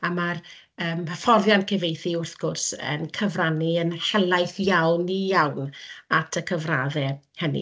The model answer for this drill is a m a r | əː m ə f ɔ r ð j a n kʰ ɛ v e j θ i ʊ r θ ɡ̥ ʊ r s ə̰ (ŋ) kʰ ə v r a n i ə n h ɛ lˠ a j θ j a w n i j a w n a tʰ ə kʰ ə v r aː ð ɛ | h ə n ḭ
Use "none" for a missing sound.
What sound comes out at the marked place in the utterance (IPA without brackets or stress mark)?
n